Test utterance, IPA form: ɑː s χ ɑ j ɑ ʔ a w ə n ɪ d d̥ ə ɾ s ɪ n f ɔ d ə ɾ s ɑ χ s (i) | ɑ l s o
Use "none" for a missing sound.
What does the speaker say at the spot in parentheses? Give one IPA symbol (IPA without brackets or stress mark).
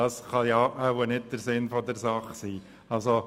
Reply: iː